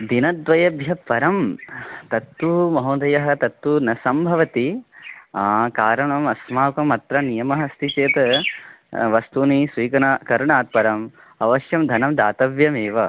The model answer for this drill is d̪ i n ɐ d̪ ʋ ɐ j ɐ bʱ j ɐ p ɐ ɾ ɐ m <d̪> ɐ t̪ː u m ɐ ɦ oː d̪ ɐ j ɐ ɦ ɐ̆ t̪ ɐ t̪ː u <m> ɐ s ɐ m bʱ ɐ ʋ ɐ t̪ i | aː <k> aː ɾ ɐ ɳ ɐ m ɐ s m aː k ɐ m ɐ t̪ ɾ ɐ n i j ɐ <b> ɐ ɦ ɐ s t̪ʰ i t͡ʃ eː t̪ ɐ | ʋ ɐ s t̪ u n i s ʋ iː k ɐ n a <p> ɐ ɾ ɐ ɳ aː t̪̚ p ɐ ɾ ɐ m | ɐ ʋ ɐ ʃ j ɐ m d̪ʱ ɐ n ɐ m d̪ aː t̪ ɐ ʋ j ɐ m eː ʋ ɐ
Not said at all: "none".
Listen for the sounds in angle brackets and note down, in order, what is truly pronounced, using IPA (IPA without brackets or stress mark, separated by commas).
t̪, n, k, m, k